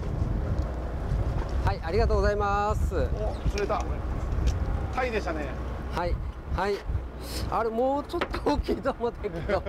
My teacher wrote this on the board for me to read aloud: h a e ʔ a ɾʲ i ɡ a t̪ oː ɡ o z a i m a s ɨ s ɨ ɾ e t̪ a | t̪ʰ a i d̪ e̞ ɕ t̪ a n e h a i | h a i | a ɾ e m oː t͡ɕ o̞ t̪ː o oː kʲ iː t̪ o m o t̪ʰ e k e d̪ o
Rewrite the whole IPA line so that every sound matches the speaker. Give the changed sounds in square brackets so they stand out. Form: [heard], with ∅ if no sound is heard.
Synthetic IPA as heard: h a [i] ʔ a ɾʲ i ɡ a t̪ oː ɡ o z a i m a s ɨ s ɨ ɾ e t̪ a | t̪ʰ a i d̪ e̞ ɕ t̪ a n e h a i | h a i | a ɾ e m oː t͡ɕ o̞ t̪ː o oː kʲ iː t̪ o m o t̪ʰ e k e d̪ o